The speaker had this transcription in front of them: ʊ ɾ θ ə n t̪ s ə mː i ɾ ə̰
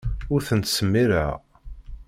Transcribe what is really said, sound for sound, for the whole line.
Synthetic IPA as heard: ʊ ɾ θ ə n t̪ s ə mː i ɾ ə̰